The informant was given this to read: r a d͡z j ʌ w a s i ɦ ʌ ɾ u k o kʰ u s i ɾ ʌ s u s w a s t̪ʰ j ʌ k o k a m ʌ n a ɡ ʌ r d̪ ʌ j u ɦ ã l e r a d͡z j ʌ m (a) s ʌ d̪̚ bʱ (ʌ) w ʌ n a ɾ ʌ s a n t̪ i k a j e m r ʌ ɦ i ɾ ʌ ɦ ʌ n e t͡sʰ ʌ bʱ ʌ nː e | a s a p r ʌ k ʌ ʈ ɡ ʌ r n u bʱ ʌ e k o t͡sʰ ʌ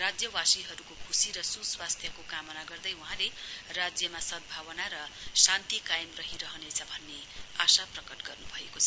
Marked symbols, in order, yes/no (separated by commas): yes, no